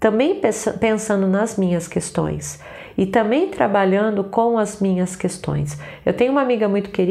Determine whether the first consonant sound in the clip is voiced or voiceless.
voiceless